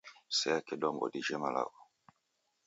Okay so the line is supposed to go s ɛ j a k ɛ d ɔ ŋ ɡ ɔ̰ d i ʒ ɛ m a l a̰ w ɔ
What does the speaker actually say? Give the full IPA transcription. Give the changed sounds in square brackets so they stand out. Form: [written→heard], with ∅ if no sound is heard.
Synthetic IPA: s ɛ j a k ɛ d ɔ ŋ ɡ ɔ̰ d i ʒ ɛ m a l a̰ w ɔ